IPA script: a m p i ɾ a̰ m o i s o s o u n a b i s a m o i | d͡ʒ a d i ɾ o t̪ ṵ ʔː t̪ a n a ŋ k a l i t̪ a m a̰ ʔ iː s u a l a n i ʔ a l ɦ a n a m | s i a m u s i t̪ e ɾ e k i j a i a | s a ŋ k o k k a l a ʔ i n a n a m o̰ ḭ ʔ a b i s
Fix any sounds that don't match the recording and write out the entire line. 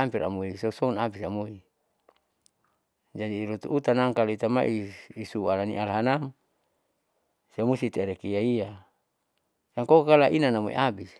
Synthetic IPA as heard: a m p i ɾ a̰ m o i s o s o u n a b i s a m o i | d͡ʒ a d i ɾ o t̪ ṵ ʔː t̪ a n a ŋ k a l i t̪ a m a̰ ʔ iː s u a l a n i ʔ a l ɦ a n a m | s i a m u s i t̪ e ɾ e k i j a i a | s a ŋ k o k k a l a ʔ i n a n a m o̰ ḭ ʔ a b i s